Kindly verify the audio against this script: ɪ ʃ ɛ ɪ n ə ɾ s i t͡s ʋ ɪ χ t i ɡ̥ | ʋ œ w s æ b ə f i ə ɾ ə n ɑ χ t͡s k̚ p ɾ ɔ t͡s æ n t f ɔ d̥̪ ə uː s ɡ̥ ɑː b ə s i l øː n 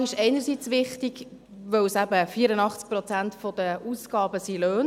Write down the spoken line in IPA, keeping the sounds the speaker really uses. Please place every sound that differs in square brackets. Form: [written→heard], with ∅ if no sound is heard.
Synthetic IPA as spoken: ɪ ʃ ɛ ɪ n ə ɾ s i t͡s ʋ ɪ χ t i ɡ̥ | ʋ œ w s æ b ə f i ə ɾ ə n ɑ χ t͡s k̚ p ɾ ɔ t͡s æ n t f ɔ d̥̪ ə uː s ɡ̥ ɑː b ə s i l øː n